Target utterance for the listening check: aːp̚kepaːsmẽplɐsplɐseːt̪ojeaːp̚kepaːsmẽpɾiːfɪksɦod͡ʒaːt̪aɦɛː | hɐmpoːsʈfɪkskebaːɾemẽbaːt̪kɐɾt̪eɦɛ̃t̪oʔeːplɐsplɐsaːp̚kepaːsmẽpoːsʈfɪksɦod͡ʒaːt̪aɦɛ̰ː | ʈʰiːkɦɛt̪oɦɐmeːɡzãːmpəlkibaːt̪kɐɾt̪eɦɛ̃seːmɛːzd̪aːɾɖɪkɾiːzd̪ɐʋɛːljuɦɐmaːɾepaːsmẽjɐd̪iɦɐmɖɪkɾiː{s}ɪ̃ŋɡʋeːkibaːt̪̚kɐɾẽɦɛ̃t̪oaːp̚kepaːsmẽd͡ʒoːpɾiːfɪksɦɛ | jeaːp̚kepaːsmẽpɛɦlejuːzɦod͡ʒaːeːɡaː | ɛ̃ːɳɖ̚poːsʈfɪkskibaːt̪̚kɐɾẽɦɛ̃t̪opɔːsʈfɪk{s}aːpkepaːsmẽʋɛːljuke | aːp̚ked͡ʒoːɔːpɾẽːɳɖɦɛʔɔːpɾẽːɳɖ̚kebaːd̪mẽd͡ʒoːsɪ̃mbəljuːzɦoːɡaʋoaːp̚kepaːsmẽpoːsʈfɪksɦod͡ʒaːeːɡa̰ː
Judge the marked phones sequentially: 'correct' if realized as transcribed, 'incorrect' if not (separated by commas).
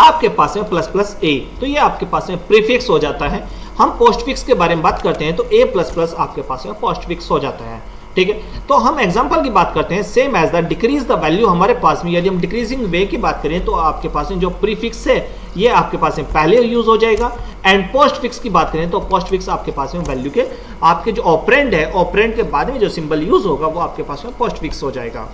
incorrect, correct